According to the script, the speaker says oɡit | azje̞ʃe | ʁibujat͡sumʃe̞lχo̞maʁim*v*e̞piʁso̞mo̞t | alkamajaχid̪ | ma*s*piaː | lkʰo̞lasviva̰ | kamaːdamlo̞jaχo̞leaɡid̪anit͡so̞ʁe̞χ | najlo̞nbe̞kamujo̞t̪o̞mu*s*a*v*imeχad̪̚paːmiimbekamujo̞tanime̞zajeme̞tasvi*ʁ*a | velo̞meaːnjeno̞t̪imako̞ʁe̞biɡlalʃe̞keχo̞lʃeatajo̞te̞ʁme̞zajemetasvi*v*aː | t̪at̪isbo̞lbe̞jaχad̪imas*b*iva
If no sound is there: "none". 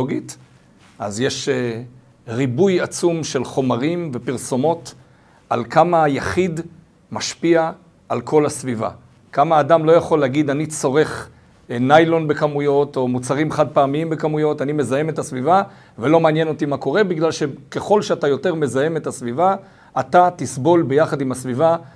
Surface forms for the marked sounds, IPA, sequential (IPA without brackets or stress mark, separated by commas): v, ʃ, t͡s, ʁ, v, v, v